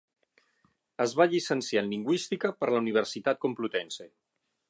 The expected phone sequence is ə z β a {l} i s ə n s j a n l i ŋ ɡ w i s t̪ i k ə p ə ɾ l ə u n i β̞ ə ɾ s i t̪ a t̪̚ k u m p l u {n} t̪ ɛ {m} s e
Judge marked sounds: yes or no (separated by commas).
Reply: no, no, no